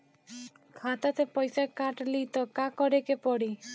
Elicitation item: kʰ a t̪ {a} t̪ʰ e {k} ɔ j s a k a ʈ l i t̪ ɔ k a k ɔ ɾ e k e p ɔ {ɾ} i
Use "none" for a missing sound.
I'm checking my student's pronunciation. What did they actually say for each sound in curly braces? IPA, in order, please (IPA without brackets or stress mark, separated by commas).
a, p, ɽ